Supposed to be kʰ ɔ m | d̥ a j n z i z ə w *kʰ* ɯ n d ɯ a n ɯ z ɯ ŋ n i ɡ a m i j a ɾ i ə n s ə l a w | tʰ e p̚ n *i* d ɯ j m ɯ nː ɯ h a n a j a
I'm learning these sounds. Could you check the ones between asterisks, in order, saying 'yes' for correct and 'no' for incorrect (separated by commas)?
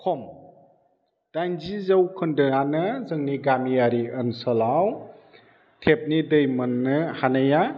yes, yes